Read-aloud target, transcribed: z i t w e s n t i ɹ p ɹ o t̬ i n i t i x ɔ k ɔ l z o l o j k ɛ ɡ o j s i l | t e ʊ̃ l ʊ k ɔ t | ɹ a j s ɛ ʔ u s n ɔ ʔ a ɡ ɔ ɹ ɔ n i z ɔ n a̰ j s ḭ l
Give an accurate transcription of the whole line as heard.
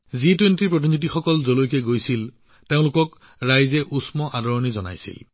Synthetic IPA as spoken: z i t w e n t i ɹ p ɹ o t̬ i n i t i x ɔ k ɔ l z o l o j k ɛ ɡ o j s i l | t e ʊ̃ l ʊ k ɔ k | ɹ a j z ɛ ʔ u s m ɔ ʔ a d ɔ ɹ ɔ n i z ɔ n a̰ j s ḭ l